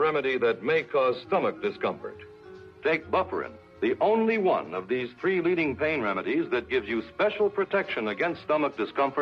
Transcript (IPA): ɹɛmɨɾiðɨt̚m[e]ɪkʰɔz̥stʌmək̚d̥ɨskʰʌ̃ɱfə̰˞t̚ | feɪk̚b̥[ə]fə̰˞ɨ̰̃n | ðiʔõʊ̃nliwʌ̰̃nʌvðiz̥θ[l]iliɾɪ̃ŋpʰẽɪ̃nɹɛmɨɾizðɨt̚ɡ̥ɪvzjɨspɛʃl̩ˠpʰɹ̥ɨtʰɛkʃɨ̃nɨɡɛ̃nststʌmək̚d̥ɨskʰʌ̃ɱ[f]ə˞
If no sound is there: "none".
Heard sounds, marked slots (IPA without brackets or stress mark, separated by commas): e, ʌ, ɹ, f